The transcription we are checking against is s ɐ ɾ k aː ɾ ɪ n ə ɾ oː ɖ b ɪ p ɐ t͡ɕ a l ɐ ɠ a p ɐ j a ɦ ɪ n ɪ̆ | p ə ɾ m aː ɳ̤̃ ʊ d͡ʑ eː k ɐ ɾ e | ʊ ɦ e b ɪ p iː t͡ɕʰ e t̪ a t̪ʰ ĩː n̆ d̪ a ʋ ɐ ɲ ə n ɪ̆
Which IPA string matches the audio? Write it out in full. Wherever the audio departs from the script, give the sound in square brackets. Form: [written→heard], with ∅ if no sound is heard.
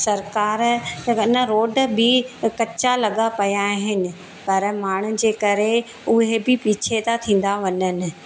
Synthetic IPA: s ɐ ɾ k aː ɾ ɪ n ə ɾ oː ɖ b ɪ [p→k] ɐ t͡ɕ a l ɐ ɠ a p ɐ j a ɦ ɪ n ɪ̆ | p [ə→ɐ] ɾ m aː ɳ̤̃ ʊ d͡ʑ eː k ɐ ɾ e | ʊ ɦ e b ɪ p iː t͡ɕʰ e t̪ a t̪ʰ ĩː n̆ d̪ a ʋ ɐ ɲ ə n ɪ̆